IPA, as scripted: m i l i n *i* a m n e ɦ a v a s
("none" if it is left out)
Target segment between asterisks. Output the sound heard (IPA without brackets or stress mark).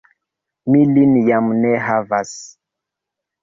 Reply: j